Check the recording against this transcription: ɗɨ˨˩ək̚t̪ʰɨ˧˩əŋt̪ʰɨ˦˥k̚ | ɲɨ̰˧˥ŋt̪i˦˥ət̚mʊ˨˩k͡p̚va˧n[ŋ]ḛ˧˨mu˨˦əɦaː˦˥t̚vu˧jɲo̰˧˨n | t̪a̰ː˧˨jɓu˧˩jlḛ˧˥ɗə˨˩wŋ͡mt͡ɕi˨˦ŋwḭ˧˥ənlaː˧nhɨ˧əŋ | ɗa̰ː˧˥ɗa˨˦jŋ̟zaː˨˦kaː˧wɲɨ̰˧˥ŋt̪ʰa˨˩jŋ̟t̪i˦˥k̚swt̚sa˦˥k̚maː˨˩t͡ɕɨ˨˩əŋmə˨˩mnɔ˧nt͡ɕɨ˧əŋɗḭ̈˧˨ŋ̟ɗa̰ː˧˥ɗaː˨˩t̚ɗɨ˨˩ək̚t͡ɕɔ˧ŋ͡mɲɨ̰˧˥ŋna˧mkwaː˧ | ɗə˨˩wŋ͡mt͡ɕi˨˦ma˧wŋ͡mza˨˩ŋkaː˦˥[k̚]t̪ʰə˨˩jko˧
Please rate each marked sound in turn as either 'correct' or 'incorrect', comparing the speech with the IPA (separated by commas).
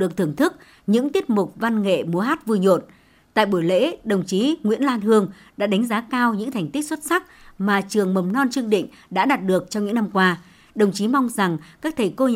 correct, correct